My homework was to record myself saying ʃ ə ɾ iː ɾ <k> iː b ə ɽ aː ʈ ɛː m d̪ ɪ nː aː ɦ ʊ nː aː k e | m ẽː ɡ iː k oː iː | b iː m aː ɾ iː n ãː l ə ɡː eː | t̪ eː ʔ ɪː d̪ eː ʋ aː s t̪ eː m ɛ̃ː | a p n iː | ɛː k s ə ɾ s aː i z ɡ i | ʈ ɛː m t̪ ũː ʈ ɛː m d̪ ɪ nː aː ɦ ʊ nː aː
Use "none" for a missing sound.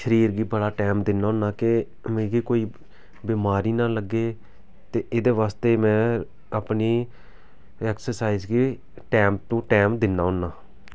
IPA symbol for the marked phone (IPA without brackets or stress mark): ɡ